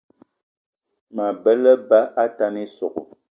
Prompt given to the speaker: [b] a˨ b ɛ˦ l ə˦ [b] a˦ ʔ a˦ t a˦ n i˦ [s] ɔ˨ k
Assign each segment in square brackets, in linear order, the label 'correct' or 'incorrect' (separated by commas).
incorrect, correct, correct